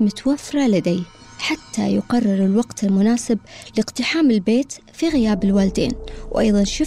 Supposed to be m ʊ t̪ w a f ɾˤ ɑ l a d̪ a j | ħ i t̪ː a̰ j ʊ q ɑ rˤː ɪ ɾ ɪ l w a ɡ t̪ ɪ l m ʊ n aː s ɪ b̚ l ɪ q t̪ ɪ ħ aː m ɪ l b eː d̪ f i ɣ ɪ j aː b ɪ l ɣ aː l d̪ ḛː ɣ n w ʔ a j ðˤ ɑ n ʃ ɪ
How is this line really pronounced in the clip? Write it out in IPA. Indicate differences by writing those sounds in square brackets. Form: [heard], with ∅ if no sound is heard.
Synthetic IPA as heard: m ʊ t̪ w a f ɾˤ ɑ l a d̪ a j | ħ [a] t̪ː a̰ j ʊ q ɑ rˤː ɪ ɾ ɪ l w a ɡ t̪ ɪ l m ʊ n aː s ɪ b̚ l ɪ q t̪ ɪ ħ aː m ɪ l b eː [t̪] f i ɣ ɪ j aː b ɪ l [w] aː l d̪ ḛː [∅] n w ʔ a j ðˤ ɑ n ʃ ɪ